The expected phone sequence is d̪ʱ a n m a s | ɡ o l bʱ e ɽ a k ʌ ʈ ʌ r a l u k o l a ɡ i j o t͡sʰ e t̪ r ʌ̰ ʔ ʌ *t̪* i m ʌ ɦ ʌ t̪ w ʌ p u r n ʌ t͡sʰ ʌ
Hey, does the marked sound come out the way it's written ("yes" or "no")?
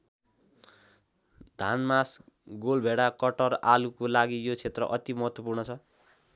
yes